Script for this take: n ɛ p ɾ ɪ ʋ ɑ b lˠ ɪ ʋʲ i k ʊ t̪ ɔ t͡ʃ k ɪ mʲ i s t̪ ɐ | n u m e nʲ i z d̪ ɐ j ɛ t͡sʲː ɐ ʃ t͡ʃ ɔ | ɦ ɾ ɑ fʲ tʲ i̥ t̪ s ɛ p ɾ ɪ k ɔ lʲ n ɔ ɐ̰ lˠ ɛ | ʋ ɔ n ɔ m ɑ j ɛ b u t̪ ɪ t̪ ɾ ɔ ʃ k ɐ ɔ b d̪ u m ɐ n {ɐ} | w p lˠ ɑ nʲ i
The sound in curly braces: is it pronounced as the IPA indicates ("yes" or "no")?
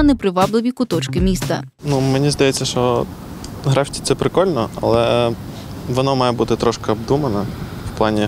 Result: yes